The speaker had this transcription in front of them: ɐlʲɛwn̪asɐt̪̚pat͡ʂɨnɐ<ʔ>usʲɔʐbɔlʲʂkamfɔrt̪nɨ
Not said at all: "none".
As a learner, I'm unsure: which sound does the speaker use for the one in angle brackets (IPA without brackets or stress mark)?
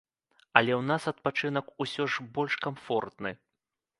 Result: k